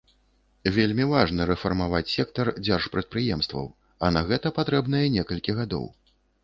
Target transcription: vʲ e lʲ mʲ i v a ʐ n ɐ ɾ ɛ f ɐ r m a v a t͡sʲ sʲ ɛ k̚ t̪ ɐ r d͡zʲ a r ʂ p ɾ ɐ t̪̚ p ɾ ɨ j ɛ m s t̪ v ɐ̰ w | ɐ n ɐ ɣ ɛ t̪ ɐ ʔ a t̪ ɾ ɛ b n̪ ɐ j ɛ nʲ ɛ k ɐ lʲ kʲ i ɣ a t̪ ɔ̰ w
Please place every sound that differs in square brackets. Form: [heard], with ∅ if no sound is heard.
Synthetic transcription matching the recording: vʲ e lʲ mʲ i v a ʐ n ɐ ɾ ɛ f ɐ r m a v a t͡sʲ sʲ ɛ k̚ t̪ ɐ r d͡zʲ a r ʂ p ɾ ɐ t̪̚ p ɾ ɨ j ɛ m s t̪ v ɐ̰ w | ɐ n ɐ ɣ ɛ t̪ ɐ [p] a t̪ ɾ ɛ b n̪ ɐ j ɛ nʲ ɛ k ɐ lʲ kʲ i ɣ a [d̪] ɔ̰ w